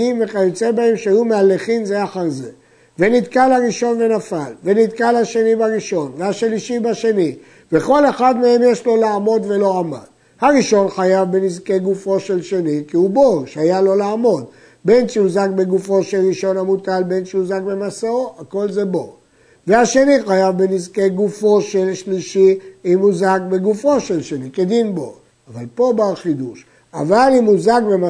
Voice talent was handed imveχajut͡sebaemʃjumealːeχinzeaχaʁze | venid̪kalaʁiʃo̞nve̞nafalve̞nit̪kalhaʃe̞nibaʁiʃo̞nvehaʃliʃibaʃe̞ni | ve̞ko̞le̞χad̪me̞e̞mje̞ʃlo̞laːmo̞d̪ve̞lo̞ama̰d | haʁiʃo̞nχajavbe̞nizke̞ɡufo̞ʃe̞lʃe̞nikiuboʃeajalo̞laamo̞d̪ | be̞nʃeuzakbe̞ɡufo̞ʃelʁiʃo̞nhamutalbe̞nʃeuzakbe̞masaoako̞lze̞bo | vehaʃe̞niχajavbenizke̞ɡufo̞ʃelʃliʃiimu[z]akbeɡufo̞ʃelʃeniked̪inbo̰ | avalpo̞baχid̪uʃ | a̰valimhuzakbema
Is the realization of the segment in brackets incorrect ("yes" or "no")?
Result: no